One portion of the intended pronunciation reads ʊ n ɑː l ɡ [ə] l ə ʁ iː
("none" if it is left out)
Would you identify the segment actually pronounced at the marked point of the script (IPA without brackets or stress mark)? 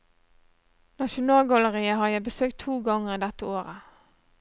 ɑ